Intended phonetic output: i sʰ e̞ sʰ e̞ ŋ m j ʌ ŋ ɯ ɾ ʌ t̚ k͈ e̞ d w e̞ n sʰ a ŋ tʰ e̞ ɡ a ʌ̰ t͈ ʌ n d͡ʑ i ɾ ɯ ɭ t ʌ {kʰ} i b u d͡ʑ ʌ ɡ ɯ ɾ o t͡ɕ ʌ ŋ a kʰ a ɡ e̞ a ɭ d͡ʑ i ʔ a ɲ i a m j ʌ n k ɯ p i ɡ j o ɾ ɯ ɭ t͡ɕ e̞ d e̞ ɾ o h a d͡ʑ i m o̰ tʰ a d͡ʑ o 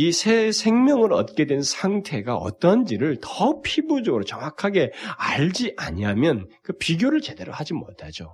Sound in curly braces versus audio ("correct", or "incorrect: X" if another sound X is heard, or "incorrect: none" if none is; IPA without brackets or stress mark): incorrect: pʰ